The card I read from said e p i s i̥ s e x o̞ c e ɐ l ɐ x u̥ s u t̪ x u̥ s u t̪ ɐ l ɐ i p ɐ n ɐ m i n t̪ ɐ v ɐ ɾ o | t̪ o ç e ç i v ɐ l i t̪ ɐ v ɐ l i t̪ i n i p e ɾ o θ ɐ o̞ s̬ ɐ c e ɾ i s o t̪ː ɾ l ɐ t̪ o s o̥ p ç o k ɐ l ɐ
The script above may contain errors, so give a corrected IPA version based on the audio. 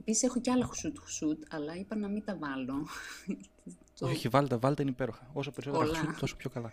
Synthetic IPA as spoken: e p i s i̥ s e x o̞ c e ɐ l ɐ x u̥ s u t̪ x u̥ s u t̪ ɐ l ɐ i p ɐ n ɐ m i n t̪ ɐ v ɐ l o | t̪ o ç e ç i v ɐ l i t̪ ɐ v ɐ l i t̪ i n i p e ɾ o x ɐ o̞ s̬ ɐ p e ɾ i s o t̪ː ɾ l ɐ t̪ o s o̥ p ç o k ɐ l ɐ